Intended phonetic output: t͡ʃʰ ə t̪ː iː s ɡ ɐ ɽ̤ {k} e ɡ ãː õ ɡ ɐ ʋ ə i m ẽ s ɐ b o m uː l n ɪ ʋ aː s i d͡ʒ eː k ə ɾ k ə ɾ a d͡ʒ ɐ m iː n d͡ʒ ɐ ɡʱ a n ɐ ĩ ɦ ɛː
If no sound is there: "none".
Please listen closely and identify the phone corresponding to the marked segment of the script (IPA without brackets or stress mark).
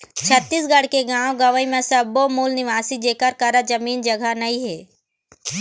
k